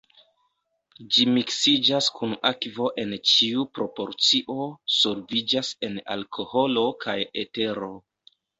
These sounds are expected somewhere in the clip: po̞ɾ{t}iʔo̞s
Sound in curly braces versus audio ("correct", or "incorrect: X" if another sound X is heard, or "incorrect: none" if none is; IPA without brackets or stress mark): incorrect: t͡s